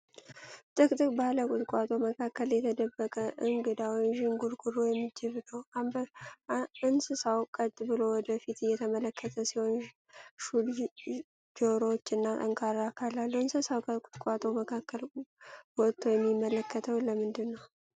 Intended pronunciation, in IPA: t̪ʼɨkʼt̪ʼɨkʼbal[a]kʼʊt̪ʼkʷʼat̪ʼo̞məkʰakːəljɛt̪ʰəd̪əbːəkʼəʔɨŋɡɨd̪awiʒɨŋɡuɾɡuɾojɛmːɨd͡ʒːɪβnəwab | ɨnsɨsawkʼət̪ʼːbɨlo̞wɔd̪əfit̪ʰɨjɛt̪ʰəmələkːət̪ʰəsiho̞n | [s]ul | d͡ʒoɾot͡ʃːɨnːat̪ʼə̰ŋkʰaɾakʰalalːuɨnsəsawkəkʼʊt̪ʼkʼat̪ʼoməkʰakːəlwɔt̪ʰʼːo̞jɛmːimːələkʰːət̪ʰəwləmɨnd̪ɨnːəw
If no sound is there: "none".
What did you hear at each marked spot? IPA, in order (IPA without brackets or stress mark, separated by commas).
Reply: ə, ʃ